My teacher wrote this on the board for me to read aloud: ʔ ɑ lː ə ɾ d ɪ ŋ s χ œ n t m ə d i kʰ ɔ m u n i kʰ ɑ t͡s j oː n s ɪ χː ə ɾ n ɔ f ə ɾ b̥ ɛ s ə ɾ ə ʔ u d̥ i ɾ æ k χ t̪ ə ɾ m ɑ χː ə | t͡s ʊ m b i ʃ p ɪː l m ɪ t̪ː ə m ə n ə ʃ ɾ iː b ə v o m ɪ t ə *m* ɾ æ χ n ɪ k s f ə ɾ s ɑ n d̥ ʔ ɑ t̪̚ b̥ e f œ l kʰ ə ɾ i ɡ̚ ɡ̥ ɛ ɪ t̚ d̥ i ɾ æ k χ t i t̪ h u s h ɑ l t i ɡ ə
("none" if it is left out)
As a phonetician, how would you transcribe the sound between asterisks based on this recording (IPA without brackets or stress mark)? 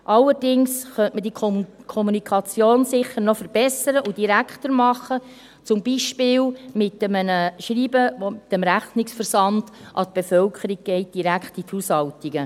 m